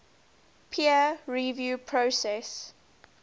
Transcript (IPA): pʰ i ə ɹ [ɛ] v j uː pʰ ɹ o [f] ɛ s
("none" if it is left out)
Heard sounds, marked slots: i, s

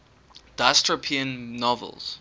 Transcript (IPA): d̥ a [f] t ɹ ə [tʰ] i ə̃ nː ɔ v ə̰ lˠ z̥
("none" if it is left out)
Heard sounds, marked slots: s, pʰ

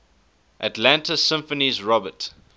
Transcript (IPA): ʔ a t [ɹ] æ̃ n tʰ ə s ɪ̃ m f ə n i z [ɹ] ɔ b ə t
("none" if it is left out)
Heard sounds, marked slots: l, ɹ

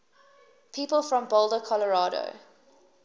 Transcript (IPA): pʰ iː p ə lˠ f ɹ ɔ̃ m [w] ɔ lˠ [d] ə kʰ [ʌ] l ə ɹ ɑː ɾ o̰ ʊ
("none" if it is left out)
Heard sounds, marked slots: b, d, ɔ

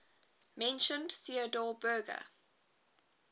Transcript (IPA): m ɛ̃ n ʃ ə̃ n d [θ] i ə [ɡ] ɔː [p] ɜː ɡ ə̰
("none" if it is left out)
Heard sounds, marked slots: θ, d, b

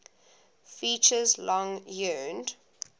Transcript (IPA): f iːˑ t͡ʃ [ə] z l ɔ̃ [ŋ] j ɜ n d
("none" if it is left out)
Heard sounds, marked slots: ə, ŋ

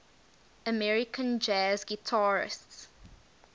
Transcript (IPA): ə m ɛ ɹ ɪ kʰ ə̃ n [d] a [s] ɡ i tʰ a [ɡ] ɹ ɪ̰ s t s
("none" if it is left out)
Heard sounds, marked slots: d͡ʒ, z, none

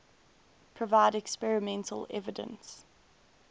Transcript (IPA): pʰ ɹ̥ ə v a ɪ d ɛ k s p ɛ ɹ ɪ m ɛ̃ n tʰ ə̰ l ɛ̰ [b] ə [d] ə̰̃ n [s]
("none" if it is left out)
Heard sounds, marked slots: v, d, s

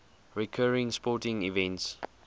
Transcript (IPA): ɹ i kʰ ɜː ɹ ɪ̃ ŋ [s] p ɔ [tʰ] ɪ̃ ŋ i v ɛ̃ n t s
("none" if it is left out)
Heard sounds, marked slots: s, t

